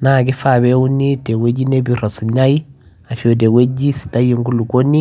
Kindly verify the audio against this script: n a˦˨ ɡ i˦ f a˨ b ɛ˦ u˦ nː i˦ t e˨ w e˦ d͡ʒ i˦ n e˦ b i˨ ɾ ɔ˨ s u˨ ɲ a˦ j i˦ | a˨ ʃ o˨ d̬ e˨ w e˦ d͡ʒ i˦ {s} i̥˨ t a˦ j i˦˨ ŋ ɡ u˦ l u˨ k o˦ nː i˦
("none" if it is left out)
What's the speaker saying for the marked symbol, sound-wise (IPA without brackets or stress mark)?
s